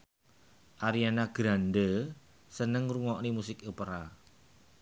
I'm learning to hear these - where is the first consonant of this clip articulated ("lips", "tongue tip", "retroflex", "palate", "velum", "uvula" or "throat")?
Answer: throat